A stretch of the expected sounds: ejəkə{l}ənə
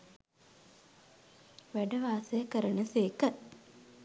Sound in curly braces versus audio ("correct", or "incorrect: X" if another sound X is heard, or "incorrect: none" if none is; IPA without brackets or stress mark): incorrect: ɾ